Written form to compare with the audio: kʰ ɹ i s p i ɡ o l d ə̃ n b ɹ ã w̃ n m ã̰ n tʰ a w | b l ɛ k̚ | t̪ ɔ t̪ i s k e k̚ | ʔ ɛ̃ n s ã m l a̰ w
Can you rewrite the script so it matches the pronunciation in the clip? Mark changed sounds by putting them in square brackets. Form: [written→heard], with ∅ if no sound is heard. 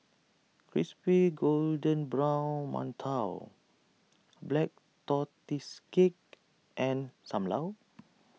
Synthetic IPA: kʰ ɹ i s p i ɡ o l d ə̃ n b ɹ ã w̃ n m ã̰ n tʰ a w | b l ɛ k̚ | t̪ ɔ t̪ i s k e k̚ | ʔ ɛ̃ n s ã m l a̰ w